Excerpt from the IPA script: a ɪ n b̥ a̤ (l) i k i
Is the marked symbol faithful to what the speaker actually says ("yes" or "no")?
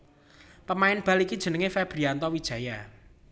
yes